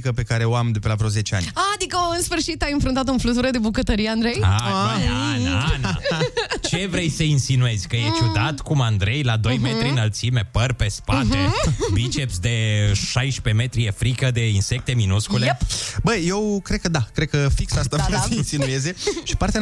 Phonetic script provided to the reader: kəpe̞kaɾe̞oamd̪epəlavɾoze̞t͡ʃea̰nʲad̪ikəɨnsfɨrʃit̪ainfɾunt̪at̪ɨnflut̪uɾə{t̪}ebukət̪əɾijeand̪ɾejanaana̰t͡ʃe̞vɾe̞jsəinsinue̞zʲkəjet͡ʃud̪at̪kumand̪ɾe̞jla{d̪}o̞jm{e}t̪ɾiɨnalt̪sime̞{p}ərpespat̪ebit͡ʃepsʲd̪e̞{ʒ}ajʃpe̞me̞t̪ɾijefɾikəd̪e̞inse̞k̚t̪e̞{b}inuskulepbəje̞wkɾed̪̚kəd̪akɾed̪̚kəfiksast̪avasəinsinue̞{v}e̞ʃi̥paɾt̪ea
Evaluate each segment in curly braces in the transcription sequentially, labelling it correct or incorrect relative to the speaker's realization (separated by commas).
incorrect, correct, correct, correct, incorrect, incorrect, incorrect